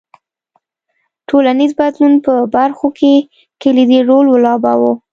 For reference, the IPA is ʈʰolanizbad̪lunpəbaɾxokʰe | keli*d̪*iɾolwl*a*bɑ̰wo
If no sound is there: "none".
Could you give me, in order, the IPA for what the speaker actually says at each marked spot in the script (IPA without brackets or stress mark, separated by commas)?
d̪, ɑ